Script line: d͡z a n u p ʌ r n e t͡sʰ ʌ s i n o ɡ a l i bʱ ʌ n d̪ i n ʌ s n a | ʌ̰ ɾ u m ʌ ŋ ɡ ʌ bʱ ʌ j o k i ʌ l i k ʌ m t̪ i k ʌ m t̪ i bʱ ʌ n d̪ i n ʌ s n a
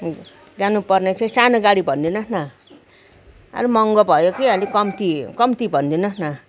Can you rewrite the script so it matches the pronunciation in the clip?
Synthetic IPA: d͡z a n u p ʌ r n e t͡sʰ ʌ s a n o ɡ a ɽ i bʱ ʌ n d̪ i n ʌ s n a | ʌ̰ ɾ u m ʌ ŋ ɡ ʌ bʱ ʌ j o k i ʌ l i k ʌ m t̪ i k ʌ m t̪ i bʱ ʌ n d̪ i n ʌ s n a